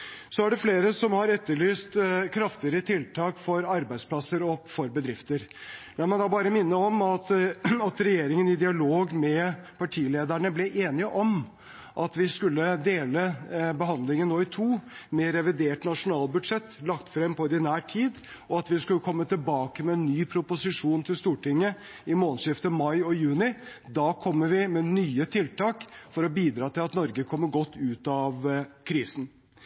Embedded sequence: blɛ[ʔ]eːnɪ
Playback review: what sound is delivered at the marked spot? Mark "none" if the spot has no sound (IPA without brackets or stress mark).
ʔ